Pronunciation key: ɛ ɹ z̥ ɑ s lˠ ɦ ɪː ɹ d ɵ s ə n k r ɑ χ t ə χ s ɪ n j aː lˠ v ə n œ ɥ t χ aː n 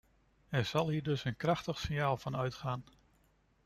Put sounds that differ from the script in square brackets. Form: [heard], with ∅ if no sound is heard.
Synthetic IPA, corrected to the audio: ɛ ɹ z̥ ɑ [∅] lˠ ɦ [iː] ɹ d ɵ s ə n k r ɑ χ t ə χ s ɪ n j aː lˠ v [ɑ] n œ ɥ t χ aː n